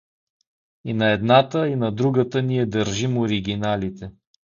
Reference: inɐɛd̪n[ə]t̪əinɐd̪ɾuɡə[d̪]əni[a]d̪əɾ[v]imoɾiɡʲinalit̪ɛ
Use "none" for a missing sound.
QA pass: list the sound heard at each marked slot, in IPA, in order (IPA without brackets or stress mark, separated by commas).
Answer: a, t̪, ɛ, ʒ